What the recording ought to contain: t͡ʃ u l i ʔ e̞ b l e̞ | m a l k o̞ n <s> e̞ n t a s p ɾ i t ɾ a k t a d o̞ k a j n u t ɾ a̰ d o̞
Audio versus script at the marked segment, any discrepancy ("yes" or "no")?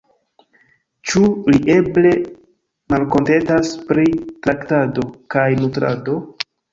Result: yes